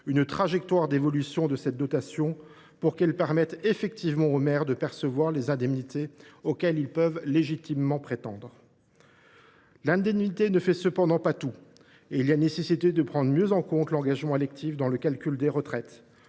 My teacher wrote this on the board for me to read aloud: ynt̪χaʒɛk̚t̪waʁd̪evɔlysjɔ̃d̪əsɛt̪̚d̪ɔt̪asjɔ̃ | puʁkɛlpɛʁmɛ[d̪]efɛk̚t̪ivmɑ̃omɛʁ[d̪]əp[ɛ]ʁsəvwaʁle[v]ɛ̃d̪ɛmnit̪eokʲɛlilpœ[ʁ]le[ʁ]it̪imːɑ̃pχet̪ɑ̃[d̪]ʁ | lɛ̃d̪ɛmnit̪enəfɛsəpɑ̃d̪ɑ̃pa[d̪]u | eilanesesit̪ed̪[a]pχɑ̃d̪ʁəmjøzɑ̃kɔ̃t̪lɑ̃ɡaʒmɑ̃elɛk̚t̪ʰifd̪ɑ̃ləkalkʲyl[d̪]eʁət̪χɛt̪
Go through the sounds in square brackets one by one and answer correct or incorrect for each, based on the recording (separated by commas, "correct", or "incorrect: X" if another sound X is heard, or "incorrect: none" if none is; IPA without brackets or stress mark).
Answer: incorrect: t̪, correct, correct, incorrect: z, incorrect: v, incorrect: ʒ, correct, incorrect: t̪, incorrect: ə, correct